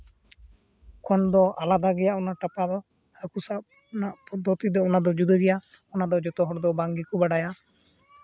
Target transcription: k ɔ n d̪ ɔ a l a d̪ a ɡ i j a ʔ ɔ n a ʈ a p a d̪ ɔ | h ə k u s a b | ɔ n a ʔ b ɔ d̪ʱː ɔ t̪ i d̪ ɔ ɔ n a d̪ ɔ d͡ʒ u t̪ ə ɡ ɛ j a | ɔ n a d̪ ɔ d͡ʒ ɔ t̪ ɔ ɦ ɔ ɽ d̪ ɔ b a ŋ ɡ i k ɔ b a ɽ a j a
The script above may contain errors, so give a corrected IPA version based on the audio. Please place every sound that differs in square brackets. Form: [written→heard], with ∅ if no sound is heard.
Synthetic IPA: k ɔ n d̪ ɔ a l a d̪ a ɡ [i→ɛ] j a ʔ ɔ n a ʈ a p a d̪ ɔ | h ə k u s a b | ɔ n a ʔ [b→p] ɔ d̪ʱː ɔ t̪ i d̪ ɔ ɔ n a d̪ ɔ d͡ʒ u [t̪→d̪] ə ɡ ɛ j a | ɔ n a d̪ ɔ d͡ʒ ɔ t̪ ɔ ɦ ɔ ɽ d̪ ɔ b a ŋ ɡ i k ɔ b a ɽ a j a